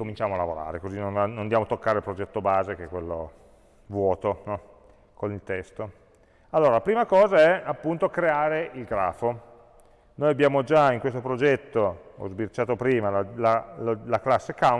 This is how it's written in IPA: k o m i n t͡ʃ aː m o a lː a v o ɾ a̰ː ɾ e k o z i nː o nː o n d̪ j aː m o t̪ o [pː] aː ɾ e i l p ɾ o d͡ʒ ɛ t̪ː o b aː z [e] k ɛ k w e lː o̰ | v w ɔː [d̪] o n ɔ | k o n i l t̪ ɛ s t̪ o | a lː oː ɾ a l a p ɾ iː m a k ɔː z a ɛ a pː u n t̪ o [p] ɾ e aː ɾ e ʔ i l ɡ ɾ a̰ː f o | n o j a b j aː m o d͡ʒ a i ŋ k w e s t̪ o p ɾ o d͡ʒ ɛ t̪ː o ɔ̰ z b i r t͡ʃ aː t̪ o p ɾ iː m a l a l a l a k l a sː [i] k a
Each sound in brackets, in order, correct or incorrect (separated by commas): incorrect, correct, incorrect, incorrect, incorrect